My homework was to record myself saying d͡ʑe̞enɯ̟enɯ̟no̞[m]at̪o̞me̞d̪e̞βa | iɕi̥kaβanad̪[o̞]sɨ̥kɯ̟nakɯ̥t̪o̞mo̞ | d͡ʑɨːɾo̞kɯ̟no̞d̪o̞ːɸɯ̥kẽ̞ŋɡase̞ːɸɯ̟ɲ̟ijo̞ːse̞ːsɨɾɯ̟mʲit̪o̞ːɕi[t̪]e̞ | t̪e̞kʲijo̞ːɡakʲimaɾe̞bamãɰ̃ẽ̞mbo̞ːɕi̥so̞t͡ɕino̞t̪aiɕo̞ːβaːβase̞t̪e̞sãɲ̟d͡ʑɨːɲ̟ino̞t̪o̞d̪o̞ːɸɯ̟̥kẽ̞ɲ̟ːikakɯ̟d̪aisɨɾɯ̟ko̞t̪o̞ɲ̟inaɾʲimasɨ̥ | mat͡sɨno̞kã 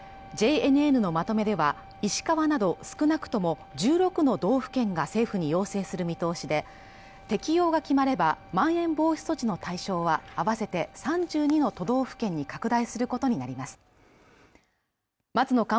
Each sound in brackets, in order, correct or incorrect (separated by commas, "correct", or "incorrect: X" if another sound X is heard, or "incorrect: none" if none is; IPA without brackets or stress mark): correct, correct, incorrect: d̪